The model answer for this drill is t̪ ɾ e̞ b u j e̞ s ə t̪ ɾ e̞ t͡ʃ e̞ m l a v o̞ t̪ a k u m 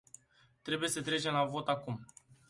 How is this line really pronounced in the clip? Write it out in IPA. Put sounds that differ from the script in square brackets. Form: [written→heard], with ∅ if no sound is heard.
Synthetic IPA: t̪ ɾ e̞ b u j e̞ s ə t̪ ɾ e̞ t͡ʃ e̞ m l a v o̞ t̪ a k u m